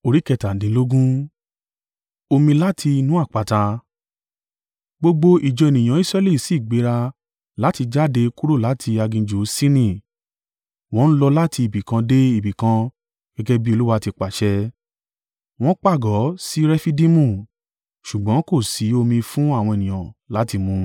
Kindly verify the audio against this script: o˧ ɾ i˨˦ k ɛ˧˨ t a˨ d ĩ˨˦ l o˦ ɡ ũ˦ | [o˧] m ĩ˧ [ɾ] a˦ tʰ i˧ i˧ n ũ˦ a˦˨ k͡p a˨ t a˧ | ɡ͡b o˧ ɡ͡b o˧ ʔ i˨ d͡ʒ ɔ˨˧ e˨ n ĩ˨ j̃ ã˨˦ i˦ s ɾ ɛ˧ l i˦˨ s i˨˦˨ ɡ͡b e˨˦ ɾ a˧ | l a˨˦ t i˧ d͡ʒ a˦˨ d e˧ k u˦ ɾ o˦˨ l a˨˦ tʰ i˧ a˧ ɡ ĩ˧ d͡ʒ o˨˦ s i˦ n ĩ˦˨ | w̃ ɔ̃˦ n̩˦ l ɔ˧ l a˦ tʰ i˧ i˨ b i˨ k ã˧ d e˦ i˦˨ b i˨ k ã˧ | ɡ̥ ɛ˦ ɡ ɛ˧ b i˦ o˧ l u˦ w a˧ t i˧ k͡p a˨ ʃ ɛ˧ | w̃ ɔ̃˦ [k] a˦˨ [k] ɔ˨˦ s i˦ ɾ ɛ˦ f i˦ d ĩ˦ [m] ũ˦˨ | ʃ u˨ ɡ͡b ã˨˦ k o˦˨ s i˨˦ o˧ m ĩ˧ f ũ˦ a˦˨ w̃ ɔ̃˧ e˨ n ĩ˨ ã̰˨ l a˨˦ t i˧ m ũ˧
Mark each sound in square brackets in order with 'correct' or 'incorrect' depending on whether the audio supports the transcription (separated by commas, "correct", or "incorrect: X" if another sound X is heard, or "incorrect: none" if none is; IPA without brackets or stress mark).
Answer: correct, incorrect: l, incorrect: k͡p, incorrect: ɡ, correct